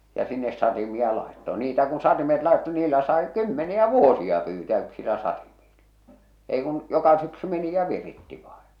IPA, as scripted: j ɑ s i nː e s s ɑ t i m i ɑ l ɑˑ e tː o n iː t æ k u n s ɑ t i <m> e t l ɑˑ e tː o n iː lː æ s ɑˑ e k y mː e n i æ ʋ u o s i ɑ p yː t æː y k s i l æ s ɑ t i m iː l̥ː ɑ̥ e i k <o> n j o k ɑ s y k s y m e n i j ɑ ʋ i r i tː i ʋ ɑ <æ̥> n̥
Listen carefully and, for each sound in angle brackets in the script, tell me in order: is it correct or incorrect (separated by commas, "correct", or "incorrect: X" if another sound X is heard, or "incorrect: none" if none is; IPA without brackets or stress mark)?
correct, incorrect: u, incorrect: e̥